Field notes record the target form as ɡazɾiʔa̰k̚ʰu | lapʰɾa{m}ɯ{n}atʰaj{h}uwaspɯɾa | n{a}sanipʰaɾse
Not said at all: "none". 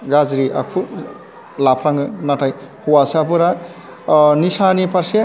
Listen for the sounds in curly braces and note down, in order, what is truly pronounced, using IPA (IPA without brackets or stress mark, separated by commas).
ŋ, n, h, i